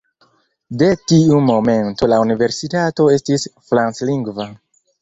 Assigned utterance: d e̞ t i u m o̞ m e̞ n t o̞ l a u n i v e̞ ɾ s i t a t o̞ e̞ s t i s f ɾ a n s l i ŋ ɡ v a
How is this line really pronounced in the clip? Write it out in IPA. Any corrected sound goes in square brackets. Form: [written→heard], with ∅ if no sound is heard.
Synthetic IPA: d e̞ t i u m o̞ m e̞ n t o̞ l a u n i v e̞ ɾ s i t a t o̞ e̞ s t i s f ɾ a n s l i ŋ ɡ v a